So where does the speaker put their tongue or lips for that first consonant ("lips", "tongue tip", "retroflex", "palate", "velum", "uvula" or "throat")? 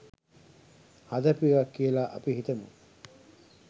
throat